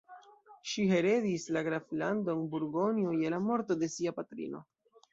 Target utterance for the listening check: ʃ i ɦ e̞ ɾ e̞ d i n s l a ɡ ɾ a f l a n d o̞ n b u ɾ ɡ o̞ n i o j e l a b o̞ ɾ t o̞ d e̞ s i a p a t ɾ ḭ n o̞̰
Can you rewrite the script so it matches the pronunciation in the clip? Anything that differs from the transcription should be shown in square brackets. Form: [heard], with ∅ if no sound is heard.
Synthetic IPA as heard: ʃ i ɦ e̞ ɾ e̞ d i [∅] s l a ɡ ɾ a f l a n d o̞ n b u ɾ ɡ o̞ n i o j e l a [m] o̞ ɾ t o̞ d e̞ s i a p a t ɾ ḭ n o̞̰